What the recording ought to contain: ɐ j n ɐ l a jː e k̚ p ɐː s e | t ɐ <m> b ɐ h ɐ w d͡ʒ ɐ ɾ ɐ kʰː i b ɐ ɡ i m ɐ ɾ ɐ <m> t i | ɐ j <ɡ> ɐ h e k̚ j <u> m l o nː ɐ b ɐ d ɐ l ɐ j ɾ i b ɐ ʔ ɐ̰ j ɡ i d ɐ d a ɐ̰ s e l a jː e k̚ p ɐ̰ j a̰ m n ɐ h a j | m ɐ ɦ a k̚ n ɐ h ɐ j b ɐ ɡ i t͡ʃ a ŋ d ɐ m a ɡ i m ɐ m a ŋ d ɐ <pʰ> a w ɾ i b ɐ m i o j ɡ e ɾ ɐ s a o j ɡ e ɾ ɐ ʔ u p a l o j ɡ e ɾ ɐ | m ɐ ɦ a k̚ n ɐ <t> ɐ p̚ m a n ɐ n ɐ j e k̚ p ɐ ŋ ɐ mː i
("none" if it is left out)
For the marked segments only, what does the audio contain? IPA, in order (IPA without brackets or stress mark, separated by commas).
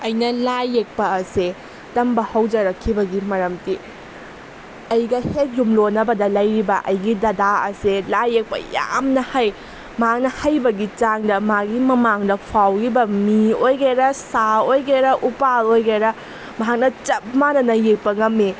m, m, ɡ, u, pʰ, t͡ʃ